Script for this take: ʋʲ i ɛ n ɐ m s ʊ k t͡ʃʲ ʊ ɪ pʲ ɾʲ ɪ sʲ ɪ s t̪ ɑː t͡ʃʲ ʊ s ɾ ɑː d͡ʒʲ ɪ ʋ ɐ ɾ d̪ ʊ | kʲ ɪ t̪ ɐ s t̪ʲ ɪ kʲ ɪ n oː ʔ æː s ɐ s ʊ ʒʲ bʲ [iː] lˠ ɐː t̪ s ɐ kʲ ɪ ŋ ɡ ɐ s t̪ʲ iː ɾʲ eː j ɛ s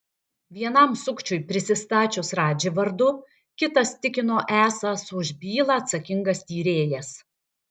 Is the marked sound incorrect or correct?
correct